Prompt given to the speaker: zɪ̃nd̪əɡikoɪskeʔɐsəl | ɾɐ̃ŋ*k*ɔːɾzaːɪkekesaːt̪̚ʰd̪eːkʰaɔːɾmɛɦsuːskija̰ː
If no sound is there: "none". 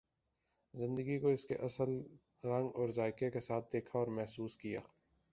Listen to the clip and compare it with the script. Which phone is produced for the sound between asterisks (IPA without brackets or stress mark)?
ɡ